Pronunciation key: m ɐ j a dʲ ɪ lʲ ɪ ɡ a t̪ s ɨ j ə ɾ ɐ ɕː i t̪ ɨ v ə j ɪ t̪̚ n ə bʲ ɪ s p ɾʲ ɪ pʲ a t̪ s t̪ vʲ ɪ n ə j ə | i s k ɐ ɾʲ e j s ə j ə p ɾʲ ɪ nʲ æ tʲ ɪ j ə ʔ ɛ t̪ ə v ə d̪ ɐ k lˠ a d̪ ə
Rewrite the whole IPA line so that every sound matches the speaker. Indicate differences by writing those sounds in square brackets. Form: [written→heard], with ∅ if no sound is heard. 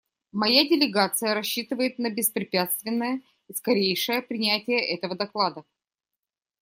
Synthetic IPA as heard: m ɐ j a dʲ ɪ lʲ ɪ ɡ a t̪ s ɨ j ə ɾ ɐ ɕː i t̪ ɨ v ə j ɪ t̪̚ n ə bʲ ɪ s p ɾʲ ɪ pʲ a t̪ s t̪ vʲ ɪ [n→nː] ə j ə | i s k ɐ ɾʲ e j [s→ʂ] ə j ə p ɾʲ ɪ nʲ æ tʲ ɪ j ə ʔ ɛ t̪ ə v ə d̪ ɐ k lˠ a d̪ ə